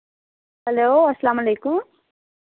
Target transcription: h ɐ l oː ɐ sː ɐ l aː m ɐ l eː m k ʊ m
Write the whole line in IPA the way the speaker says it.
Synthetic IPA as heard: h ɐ l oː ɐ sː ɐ l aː m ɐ l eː k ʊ m